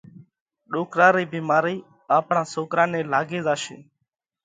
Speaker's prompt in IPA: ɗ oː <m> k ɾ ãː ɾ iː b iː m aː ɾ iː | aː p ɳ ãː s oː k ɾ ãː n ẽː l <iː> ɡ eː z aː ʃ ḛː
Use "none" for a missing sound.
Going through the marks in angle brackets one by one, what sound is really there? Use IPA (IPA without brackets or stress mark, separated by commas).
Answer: none, aː